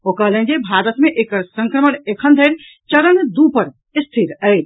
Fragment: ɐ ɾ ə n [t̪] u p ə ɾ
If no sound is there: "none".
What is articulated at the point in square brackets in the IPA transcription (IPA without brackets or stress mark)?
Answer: d̪